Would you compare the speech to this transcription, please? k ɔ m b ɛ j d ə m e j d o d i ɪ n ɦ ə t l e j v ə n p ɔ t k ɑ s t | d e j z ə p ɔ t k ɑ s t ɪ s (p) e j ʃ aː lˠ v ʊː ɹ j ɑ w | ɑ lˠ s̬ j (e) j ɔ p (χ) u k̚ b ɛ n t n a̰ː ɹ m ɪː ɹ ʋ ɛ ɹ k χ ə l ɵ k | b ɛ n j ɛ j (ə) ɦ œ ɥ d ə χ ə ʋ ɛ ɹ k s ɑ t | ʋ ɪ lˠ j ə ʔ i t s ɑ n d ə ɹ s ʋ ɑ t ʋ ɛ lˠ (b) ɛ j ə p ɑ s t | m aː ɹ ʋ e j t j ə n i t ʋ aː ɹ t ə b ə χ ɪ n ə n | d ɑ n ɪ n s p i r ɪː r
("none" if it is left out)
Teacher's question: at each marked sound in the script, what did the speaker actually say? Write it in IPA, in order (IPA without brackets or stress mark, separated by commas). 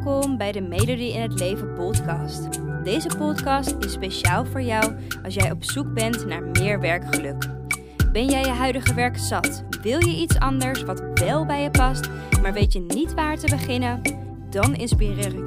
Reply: p, ɛ, s, ə, b